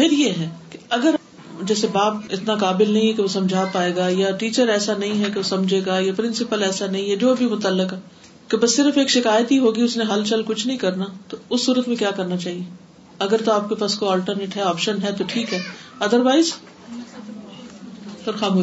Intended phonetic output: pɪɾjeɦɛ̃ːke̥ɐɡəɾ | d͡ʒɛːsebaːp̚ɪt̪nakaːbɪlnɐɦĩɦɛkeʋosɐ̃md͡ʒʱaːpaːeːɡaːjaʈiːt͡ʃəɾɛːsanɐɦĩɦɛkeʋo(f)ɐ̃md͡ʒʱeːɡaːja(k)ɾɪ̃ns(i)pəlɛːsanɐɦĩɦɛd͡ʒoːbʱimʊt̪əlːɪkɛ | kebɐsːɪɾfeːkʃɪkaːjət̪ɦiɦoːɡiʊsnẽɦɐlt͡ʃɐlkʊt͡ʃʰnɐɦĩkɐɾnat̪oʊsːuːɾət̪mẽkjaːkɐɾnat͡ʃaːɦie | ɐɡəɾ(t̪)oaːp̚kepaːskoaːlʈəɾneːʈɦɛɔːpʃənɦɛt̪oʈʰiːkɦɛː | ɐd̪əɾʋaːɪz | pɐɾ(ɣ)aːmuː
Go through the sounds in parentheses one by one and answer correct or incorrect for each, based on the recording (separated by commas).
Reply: incorrect, incorrect, incorrect, correct, incorrect